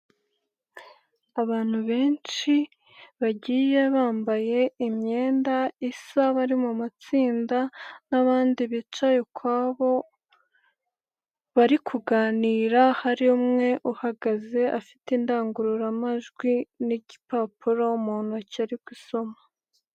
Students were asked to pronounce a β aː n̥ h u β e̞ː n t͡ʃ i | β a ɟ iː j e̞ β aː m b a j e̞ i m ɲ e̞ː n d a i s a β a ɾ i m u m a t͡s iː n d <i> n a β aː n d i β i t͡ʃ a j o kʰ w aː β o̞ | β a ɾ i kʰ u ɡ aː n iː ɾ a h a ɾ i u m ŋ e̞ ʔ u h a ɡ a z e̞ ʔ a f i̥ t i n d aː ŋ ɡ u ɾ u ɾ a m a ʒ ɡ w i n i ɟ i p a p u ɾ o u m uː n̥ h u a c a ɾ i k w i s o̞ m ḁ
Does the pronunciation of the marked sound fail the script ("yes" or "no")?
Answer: yes